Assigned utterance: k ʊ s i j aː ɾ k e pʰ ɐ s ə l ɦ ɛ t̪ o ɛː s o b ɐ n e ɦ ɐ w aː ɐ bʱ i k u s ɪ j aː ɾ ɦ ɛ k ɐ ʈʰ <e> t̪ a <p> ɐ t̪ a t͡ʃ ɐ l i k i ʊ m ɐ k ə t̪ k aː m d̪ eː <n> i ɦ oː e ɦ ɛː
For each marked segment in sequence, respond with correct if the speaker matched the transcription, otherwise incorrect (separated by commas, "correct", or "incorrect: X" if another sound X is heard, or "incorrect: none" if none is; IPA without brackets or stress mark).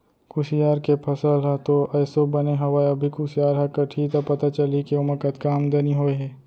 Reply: incorrect: i, correct, correct